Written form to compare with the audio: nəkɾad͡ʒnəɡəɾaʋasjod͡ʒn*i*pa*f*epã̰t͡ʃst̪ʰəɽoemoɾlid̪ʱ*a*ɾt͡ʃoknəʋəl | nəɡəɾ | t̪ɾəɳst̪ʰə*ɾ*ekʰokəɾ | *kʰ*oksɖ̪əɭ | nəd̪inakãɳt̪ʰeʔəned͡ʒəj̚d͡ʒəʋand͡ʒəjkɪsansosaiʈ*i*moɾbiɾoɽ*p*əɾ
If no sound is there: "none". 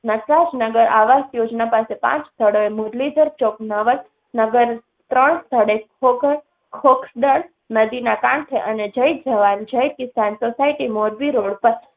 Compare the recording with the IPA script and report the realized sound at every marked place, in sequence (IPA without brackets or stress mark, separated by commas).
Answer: a, s, ə, ɽ, kʰ, i, p